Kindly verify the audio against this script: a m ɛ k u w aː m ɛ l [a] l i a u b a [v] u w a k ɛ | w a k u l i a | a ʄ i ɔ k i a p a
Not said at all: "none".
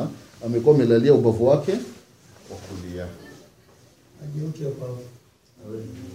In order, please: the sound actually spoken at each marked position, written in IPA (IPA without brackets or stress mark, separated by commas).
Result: a, v